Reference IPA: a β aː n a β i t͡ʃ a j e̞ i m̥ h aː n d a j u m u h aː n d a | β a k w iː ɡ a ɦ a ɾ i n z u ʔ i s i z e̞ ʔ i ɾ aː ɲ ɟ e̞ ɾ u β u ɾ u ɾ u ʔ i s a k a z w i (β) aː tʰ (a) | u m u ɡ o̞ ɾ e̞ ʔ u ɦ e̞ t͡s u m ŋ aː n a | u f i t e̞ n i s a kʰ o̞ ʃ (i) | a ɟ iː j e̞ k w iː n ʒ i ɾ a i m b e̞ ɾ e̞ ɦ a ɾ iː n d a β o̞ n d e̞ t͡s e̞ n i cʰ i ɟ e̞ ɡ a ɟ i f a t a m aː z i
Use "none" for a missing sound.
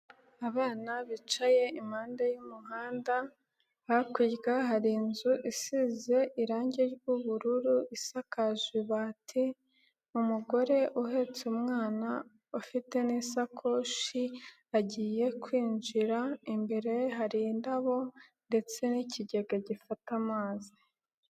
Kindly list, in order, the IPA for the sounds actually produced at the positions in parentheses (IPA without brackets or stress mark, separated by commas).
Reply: β, i, i